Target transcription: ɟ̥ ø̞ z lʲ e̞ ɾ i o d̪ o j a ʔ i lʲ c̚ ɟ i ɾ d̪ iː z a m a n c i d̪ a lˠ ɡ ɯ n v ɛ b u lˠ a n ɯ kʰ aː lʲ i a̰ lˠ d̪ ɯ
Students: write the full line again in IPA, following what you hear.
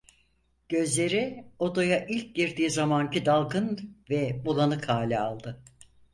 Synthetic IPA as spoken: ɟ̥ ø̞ z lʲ e̞ ɾ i o d̪ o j a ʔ i lʲ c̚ ɟ i ɾ d̪ iː z a m a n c i d̪ a lˠ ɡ ɯ n v ɛ b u lˠ a n ɯ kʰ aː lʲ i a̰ lˠ d̪ ɯ